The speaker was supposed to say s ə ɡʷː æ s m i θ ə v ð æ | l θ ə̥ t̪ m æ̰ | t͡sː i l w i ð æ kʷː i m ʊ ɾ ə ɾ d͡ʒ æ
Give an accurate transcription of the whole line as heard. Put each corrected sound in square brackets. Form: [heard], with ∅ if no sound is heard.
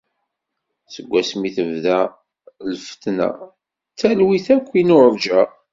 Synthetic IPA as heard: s ə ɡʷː æ s m i θ ə v ð æ | l [f] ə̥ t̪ [n] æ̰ | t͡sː [æ] l w i [θ] æ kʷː i [n] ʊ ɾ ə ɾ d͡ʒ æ